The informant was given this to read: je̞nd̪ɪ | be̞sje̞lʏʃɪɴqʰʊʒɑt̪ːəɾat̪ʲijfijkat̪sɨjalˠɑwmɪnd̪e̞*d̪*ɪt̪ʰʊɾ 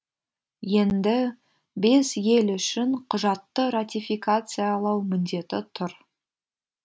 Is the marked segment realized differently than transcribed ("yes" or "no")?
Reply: yes